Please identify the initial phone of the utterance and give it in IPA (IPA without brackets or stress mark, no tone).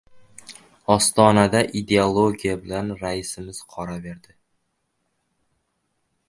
ɒ